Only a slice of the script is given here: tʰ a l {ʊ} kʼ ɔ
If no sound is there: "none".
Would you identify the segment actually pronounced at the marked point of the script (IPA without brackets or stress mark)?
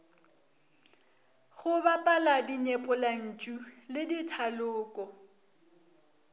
ʊː